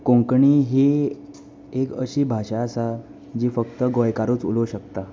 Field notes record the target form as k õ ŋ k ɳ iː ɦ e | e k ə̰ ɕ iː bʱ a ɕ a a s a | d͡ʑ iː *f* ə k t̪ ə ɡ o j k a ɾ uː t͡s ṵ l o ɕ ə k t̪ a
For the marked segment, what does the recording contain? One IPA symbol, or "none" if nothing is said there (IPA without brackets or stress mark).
f